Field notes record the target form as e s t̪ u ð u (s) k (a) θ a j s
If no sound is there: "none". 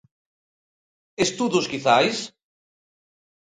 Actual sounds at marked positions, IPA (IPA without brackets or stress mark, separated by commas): s, i